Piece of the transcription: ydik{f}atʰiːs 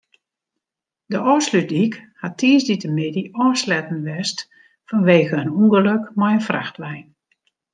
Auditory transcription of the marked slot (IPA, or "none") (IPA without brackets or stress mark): h